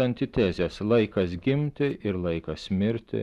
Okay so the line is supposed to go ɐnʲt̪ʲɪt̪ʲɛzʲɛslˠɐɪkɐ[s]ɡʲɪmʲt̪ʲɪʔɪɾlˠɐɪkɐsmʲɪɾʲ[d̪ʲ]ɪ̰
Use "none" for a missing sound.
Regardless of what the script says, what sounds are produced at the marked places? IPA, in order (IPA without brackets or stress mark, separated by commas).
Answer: s, t̪ʲ